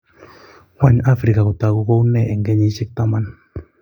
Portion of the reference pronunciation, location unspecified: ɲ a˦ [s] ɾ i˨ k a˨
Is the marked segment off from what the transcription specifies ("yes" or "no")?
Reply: yes